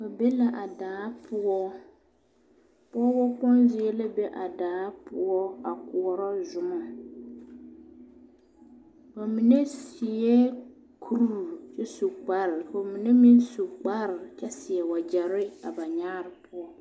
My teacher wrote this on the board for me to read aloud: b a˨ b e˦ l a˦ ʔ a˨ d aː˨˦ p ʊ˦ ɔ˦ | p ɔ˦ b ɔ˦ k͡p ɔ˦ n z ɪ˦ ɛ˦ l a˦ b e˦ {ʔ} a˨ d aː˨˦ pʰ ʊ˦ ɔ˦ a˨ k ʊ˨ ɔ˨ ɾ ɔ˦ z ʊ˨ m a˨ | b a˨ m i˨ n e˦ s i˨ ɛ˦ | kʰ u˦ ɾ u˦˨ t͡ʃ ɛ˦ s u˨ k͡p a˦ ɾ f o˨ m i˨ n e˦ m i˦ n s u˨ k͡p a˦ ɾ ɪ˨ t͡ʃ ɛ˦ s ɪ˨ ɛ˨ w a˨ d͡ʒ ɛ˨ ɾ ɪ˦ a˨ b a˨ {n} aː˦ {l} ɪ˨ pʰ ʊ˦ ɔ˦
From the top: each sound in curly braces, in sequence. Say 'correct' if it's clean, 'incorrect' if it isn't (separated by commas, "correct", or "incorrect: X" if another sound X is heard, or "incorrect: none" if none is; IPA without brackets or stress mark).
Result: correct, incorrect: ɲ, incorrect: ɾ